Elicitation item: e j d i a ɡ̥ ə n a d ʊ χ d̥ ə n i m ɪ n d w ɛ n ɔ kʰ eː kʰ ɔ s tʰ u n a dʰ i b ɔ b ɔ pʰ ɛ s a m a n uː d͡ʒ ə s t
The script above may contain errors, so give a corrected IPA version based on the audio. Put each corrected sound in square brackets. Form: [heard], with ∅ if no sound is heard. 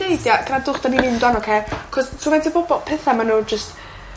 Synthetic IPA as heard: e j d [j] a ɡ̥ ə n a d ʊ χ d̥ [a] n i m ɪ n d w [a] n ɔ kʰ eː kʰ ɔ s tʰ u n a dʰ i b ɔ b ɔ pʰ ɛ [θ] a m a n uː d͡ʒ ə s t